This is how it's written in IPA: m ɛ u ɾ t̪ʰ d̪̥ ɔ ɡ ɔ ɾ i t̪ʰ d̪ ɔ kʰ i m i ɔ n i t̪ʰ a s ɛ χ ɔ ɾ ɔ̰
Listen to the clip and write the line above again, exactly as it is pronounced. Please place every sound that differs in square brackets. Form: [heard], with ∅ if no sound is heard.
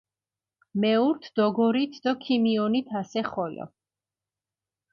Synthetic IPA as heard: m ɛ u ɾ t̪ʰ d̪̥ ɔ ɡ ɔ ɾ i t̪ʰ d̪ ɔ kʰ i m i ɔ n i t̪ʰ a s ɛ χ ɔ [l] ɔ̰